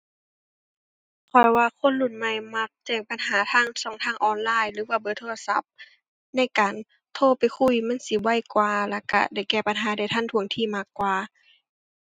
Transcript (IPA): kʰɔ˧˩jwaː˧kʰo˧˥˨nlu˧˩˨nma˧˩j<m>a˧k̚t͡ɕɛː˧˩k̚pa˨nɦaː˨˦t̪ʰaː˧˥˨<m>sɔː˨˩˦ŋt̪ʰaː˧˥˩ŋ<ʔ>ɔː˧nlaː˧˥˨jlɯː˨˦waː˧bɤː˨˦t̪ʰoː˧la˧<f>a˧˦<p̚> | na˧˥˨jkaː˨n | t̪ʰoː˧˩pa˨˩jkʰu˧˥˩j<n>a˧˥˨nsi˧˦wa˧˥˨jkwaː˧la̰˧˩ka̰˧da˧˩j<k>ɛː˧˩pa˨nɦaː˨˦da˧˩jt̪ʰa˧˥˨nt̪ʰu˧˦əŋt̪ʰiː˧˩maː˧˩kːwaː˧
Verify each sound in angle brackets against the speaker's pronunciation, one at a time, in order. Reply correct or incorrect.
correct, incorrect: ŋ, correct, incorrect: s, correct, incorrect: m, correct

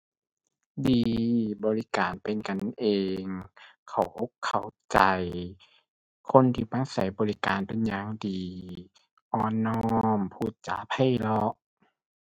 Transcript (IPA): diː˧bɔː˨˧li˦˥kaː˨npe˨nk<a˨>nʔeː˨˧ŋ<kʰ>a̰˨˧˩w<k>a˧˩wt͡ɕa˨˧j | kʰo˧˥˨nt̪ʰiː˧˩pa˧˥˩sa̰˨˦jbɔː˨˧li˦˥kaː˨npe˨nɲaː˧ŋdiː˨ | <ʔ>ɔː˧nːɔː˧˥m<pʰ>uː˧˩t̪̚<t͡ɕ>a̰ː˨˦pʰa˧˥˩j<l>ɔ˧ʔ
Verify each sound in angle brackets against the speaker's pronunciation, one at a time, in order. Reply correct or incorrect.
correct, correct, incorrect: kʰ, correct, correct, correct, correct

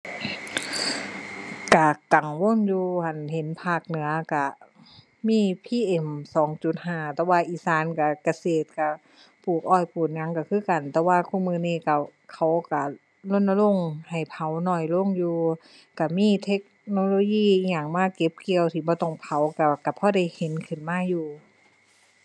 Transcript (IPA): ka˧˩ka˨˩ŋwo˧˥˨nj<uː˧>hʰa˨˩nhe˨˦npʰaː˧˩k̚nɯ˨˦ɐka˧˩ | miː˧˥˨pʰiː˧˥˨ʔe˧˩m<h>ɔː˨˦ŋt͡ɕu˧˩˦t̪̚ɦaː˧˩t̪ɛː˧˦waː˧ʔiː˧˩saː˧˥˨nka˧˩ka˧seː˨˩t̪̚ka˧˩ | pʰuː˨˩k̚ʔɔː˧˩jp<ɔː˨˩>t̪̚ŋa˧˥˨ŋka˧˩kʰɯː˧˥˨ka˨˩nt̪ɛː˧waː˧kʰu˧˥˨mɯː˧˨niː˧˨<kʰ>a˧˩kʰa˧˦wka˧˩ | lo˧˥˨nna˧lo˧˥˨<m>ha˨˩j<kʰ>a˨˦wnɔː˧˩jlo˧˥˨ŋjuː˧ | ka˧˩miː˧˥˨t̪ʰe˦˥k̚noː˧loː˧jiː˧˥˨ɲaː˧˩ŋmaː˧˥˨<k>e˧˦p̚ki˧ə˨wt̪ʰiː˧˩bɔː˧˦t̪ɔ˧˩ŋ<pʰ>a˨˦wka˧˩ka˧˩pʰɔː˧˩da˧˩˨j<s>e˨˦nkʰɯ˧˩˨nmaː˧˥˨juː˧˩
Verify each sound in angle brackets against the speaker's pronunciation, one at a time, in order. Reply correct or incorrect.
correct, incorrect: s, incorrect: uː˨˩, incorrect: k, incorrect: ŋ, incorrect: pʰ, correct, correct, incorrect: h

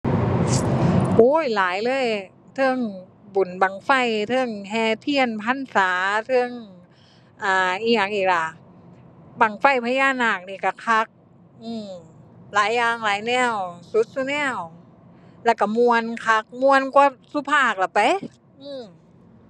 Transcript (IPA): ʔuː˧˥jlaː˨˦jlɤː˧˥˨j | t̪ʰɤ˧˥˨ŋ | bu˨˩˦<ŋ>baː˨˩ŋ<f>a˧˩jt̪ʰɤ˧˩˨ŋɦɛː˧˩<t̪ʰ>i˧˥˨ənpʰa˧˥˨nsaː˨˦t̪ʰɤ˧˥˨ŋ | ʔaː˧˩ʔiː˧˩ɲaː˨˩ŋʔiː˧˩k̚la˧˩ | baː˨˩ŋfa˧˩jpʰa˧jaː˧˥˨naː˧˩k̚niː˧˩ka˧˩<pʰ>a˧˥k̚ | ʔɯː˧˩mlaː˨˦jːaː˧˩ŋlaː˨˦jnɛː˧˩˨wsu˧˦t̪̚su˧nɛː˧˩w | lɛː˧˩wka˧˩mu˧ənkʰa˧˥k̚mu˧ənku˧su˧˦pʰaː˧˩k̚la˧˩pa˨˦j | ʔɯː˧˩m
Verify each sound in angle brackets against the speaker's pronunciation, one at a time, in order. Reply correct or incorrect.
incorrect: n, correct, correct, incorrect: kʰ

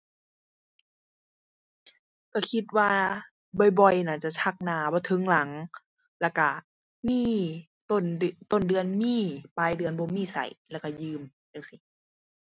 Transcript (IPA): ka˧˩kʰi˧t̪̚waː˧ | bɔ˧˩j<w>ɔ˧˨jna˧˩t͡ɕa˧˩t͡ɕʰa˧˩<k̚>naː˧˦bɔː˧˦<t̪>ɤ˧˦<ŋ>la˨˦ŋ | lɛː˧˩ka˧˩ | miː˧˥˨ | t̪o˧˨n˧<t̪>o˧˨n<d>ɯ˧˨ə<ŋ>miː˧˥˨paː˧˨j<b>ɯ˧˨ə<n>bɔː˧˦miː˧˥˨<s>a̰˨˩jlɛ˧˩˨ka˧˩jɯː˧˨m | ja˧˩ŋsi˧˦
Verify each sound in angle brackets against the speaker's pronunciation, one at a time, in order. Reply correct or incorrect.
incorrect: b, correct, incorrect: t̪ʰ, correct, correct, correct, incorrect: n, incorrect: d, correct, correct

